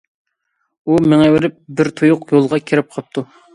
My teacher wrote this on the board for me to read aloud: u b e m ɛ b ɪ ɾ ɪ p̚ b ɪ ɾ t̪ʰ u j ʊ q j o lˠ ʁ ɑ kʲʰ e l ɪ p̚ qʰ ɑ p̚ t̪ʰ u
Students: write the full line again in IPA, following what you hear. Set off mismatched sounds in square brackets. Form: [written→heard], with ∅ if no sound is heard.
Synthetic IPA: u [b→m] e [m→ŋ] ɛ [b→w] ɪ ɾ ɪ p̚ b ɪ ɾ t̪ʰ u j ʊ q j o lˠ ʁ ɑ kʲʰ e [l→ɾ] ɪ p̚ qʰ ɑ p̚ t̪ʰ u